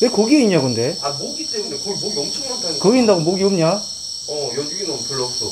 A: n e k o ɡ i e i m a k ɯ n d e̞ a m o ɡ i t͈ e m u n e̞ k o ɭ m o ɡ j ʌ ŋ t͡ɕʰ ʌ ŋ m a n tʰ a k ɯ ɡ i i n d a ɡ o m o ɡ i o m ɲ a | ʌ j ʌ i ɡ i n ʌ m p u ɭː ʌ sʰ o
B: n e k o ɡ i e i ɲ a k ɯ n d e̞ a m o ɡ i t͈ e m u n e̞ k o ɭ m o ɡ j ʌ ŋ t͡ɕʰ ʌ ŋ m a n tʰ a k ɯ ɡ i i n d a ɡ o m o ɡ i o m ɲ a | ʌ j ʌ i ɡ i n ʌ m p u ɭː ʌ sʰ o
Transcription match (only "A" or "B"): B